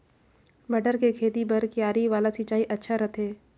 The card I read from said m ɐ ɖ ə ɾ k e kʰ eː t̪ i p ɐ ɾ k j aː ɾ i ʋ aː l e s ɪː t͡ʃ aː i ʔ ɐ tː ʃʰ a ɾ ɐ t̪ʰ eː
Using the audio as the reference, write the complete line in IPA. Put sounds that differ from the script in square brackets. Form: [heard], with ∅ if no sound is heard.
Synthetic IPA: m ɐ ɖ ə ɾ k e kʰ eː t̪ i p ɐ ɾ k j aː ɾ i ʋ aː l [a] s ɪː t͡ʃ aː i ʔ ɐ tː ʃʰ a ɾ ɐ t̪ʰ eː